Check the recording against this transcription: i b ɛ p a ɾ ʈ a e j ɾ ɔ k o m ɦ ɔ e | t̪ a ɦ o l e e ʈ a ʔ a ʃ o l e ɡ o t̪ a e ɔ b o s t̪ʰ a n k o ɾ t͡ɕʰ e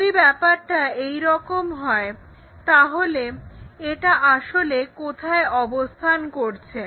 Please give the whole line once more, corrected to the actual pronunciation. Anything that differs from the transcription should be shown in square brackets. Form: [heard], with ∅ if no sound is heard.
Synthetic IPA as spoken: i b ɛ p a ɾ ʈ a e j ɾ ɔ k o m ɦ ɔ e | t̪ a ɦ o l e e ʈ a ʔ a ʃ o l e [k] o [t̪ʰ] a e ɔ b o s t̪ʰ a n k o ɾ t͡ɕʰ e

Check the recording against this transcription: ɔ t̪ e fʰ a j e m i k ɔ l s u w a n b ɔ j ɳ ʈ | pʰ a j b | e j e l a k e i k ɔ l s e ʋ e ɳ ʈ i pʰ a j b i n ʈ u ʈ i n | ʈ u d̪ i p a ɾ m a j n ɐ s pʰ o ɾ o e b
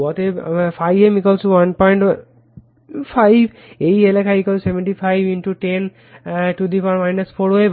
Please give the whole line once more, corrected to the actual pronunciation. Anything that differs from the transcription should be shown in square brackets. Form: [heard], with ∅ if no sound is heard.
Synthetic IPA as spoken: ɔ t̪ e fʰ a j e m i k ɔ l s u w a n [p] ɔ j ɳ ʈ | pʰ a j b | e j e l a k [a] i k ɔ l s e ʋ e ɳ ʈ i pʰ a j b i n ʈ u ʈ [e] n | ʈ u d̪ i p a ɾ m a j n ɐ s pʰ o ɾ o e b

